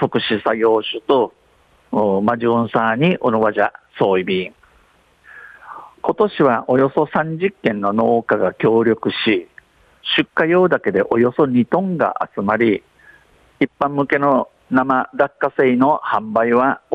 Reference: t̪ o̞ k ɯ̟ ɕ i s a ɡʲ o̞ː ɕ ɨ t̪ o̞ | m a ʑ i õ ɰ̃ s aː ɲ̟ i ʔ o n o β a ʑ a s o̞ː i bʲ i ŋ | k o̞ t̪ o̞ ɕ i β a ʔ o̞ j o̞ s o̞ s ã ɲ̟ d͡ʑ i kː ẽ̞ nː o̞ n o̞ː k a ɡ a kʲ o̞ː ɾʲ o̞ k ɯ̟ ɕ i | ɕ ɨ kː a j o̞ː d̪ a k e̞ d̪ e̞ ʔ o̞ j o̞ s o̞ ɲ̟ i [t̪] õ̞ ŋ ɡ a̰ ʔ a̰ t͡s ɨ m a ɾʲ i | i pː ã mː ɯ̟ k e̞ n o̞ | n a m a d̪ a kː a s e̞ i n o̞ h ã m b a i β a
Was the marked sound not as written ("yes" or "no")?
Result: no